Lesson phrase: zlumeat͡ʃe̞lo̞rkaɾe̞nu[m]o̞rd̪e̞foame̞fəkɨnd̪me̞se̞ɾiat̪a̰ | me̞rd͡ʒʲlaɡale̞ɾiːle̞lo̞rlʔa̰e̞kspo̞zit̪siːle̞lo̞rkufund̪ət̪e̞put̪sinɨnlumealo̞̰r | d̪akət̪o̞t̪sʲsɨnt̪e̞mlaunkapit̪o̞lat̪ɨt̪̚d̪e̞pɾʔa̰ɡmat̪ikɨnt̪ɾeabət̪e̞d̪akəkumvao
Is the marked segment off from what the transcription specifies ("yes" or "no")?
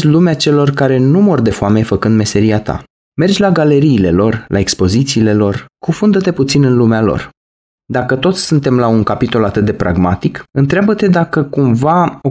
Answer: no